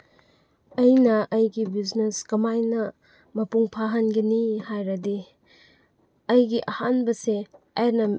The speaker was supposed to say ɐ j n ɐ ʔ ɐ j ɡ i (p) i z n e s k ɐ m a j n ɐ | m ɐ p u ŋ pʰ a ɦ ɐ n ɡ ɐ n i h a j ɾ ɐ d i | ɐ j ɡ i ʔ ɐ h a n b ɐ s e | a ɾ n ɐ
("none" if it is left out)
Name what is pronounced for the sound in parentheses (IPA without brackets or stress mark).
b